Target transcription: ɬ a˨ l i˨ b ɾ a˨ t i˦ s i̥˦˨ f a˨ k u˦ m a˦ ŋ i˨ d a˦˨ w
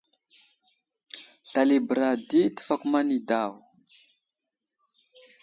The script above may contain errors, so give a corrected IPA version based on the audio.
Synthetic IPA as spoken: ɬ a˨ l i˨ b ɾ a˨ d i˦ t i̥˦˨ f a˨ k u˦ m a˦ n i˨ d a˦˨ w